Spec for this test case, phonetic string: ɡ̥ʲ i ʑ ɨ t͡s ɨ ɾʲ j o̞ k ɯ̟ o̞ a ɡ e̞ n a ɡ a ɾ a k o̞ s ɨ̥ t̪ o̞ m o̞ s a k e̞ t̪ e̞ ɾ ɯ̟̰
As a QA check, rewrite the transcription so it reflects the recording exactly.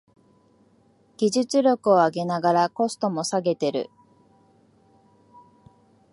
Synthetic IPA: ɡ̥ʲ i ʑ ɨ t͡s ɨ ɾʲ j o̞ k ɯ̟ o̞ a ɡ e̞ n a ɡ a ɾ a k o̞ s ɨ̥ t̪ o̞ m o̞ s a ɡ e̞ t̪ e̞ ɾ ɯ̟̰